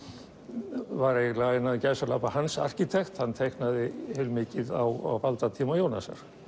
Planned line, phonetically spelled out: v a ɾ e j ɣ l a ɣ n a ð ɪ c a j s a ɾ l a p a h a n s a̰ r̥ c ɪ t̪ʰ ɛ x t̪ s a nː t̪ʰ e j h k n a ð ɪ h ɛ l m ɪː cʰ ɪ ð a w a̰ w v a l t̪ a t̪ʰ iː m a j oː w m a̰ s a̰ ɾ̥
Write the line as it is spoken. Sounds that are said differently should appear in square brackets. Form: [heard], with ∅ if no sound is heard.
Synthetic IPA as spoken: v a ɾ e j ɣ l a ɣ n a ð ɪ c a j s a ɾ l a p a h a n s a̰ r̥ c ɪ t̪ʰ ɛ x t̪ [h] a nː t̪ʰ e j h k n a ð ɪ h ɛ l m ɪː [c] ɪ ð a w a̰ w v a l t̪ a t̪ʰ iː m a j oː w [n] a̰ s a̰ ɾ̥